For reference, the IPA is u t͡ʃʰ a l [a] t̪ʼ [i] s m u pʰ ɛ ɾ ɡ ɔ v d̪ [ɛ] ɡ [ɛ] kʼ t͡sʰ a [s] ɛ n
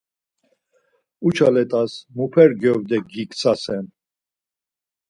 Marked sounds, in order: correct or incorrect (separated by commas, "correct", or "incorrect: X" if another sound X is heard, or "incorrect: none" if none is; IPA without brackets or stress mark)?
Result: incorrect: ɛ, incorrect: a, correct, incorrect: i, correct